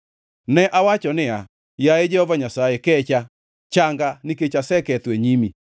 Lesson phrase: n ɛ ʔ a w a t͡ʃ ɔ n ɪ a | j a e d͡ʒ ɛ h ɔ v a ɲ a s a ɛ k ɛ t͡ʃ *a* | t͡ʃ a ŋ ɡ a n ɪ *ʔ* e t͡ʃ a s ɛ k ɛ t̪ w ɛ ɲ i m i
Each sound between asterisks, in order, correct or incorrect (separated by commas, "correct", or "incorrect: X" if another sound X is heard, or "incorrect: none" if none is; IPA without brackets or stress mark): correct, incorrect: k